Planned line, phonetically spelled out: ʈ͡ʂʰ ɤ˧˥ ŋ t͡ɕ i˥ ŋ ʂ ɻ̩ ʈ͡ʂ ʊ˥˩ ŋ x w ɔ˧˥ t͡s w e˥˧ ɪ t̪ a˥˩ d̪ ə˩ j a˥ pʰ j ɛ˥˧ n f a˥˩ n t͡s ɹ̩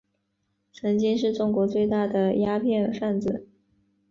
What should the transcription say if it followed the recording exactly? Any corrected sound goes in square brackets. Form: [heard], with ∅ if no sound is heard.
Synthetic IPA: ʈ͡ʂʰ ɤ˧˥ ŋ t͡ɕ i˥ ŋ ʂ ɻ̩ ʈ͡ʂ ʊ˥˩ ŋ [k] w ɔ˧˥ t͡s w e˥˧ ɪ t̪ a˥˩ d̪ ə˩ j a˥ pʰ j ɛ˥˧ n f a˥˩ n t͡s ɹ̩